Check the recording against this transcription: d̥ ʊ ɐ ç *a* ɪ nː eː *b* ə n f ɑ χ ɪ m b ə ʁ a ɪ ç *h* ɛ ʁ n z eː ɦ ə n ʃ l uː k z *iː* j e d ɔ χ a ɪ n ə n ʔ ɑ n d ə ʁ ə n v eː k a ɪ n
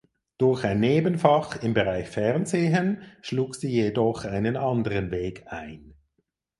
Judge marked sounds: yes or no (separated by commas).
yes, yes, no, yes